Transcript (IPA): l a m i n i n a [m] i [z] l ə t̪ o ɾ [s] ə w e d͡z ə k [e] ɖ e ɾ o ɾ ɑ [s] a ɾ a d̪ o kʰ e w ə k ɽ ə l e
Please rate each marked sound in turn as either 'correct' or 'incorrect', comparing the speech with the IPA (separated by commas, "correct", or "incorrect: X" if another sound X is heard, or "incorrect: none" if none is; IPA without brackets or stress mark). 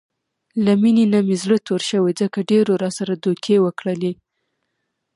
correct, correct, incorrect: ʃ, incorrect: a, correct